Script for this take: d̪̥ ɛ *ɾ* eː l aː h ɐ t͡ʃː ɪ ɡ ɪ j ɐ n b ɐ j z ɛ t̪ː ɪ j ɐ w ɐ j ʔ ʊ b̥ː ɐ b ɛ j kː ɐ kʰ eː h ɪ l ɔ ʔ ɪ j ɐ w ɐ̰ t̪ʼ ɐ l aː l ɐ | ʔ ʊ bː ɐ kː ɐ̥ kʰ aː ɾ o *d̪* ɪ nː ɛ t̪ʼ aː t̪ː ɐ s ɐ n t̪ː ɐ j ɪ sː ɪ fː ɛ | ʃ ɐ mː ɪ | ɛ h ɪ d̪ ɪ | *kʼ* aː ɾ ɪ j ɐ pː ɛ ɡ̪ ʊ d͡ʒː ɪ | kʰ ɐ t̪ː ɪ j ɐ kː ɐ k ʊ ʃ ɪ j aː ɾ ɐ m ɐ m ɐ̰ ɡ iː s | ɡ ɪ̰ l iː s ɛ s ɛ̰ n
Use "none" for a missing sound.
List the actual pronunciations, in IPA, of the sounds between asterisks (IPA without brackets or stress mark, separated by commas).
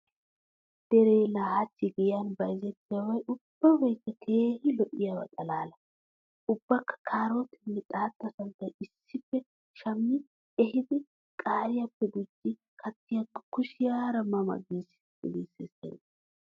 ɾ, t̪, kʼ